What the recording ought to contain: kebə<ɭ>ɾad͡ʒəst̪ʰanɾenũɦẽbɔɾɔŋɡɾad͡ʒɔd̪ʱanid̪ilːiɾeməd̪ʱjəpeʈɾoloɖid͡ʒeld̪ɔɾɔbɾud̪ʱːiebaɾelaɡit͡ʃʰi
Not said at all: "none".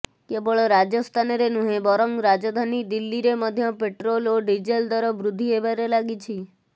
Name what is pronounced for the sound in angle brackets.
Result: ɭ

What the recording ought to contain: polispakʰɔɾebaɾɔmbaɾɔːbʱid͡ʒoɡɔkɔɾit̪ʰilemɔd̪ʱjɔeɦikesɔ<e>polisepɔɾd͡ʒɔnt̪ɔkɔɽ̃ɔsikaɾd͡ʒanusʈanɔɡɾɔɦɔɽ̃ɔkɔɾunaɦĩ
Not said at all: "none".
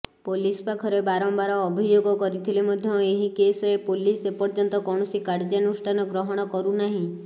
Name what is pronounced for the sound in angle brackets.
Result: e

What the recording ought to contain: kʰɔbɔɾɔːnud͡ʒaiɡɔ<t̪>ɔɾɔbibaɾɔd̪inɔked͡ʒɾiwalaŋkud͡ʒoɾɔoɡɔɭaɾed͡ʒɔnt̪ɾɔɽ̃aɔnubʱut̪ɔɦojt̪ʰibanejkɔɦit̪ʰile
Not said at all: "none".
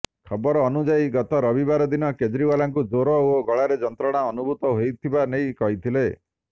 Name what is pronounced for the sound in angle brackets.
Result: t̪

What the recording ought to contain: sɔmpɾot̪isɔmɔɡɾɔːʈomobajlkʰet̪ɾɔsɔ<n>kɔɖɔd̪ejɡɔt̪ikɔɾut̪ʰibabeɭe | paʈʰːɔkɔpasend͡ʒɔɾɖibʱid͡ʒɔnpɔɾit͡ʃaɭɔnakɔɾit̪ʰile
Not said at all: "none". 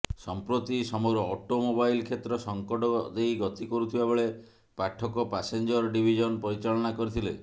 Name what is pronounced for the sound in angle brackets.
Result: ŋ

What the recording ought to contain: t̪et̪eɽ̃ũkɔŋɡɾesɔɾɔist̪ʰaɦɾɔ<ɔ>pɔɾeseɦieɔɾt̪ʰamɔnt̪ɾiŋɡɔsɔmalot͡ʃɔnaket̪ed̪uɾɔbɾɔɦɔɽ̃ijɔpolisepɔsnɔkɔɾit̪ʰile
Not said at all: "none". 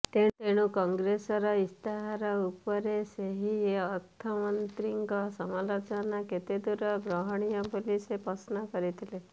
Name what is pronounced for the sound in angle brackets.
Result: u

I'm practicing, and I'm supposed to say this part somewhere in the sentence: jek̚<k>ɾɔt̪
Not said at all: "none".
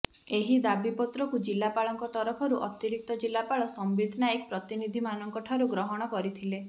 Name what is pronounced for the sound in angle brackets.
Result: p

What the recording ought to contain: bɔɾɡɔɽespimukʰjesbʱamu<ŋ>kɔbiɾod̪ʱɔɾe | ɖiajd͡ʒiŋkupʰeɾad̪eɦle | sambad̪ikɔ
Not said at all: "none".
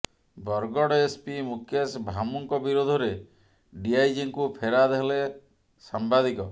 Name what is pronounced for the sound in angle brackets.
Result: ŋ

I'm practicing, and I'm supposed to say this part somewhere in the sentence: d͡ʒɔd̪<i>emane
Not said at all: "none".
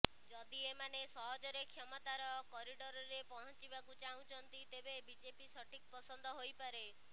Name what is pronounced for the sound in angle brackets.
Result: i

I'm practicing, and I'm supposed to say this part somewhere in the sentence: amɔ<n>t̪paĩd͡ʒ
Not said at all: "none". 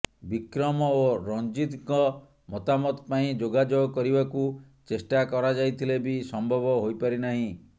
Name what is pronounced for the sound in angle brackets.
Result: none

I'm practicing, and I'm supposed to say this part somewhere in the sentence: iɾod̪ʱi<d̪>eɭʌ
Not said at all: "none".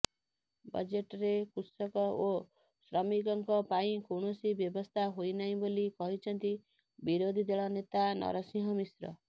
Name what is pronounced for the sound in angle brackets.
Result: d̪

